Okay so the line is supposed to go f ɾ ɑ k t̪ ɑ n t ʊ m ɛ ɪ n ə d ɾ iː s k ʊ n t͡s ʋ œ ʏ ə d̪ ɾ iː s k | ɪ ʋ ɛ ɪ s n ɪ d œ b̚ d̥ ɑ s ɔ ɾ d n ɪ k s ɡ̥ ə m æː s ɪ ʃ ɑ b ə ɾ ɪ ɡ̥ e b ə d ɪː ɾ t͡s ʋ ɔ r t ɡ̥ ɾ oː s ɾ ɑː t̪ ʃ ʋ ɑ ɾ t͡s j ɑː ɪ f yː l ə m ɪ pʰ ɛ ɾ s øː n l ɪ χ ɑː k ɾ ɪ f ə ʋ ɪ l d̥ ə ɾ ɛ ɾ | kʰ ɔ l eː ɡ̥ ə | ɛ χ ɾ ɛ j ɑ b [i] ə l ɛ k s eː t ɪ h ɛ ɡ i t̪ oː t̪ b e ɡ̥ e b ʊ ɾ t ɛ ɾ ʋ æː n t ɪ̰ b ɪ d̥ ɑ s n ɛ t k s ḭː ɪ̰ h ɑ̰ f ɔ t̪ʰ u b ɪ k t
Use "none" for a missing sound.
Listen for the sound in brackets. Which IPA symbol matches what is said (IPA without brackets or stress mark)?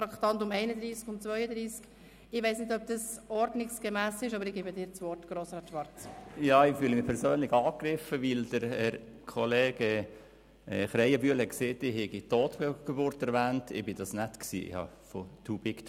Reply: y